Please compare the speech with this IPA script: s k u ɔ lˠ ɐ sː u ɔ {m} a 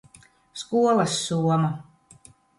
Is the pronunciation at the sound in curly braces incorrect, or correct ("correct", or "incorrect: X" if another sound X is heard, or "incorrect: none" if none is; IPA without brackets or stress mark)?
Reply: correct